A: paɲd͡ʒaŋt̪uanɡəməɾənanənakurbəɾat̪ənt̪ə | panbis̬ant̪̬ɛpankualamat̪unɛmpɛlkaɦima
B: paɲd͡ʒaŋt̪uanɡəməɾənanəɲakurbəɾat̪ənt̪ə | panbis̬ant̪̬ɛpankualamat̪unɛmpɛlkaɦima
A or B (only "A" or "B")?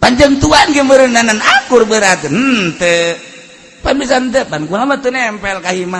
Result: A